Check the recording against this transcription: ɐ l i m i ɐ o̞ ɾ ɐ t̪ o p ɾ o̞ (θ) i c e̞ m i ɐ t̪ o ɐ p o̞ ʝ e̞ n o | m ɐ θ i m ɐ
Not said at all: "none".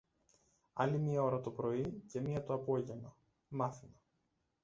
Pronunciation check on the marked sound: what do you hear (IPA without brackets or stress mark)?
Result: none